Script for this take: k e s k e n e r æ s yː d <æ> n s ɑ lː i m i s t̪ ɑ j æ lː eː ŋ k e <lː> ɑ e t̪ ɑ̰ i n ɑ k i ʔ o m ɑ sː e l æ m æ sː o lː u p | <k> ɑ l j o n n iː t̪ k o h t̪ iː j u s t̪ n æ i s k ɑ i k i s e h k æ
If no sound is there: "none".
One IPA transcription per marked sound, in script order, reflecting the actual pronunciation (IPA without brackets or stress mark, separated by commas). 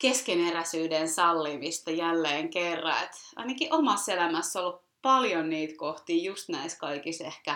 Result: e, rː, p